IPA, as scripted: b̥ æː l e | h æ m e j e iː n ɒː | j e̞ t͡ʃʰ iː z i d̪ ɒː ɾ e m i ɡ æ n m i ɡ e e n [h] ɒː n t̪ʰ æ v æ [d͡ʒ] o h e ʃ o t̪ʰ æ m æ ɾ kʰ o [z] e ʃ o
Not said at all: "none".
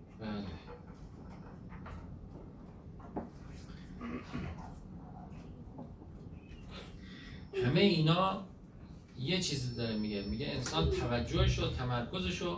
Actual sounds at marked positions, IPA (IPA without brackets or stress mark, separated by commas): s, d͡ʒː, z